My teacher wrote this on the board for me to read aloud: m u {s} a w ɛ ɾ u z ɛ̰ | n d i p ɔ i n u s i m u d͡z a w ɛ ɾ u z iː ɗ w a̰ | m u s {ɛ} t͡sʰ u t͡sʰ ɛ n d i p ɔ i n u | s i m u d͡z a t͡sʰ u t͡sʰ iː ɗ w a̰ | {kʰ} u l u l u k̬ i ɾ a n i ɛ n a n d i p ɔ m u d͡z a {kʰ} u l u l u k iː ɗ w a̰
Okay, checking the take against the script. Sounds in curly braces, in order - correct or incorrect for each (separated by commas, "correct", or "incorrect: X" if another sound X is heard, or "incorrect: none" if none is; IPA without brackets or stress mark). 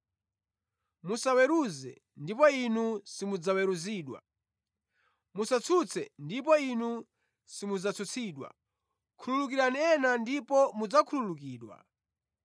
correct, incorrect: a, correct, correct